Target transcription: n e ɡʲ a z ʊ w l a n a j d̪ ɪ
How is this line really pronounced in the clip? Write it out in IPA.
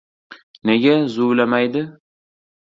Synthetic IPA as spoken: n e ɡʲ a z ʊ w l a m a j d̪ ɪ